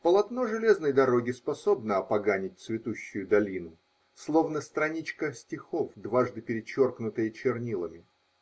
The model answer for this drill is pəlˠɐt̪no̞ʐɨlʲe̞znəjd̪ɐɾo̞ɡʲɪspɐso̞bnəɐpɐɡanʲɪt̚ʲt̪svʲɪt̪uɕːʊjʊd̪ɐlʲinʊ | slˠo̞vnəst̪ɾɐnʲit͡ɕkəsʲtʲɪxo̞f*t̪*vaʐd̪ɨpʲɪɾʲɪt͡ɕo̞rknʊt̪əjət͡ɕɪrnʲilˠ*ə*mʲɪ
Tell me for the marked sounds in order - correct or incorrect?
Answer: incorrect, correct

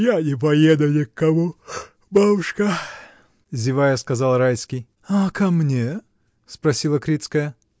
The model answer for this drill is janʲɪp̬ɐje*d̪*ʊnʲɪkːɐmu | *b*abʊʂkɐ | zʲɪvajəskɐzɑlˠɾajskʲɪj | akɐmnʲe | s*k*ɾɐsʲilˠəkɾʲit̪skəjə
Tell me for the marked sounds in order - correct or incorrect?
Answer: correct, correct, incorrect

